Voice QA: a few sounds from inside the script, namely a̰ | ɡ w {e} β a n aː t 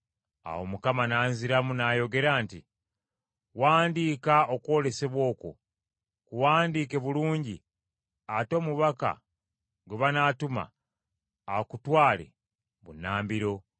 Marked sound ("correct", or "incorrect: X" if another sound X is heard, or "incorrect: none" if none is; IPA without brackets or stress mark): correct